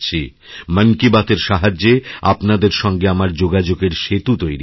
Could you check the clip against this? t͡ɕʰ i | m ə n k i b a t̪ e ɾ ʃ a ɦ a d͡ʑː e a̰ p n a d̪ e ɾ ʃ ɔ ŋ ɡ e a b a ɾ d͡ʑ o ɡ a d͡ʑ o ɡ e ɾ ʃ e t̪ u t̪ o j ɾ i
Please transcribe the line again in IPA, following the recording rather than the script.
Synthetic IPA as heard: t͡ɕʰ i | m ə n k i b a t̪ e ɾ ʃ a ɦ a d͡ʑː e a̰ p n a d̪ e ɾ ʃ ɔ ŋ ɡ e a m a ɾ d͡ʑ o ɡ a d͡ʑ o ɡ e ɾ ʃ e t̪ u t̪ o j ɾ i